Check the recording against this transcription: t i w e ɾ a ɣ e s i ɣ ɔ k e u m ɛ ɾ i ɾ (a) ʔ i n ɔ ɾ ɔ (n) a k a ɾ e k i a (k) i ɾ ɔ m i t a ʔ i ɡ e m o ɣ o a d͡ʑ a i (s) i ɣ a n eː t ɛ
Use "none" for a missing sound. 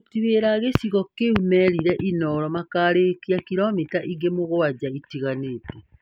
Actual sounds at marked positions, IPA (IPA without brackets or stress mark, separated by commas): ɛ, m, k, t